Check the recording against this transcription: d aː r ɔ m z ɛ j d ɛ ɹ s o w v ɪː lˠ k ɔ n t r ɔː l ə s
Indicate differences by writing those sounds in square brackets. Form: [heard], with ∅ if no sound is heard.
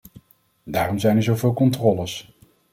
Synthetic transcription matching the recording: d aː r ɔ m z ɛ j [n] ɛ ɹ [z] o w v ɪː lˠ k ɔ n t r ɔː l ə s

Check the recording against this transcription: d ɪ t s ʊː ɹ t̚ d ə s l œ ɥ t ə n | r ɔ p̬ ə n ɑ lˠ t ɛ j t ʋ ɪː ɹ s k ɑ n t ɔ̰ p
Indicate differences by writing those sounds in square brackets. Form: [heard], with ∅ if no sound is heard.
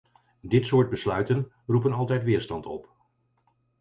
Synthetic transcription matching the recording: d ɪ t s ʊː ɹ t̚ [b] ə s l œ ɥ t ə n | r [u] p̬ ə n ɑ lˠ t ɛ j t ʋ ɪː ɹ s [t] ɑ n t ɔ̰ p

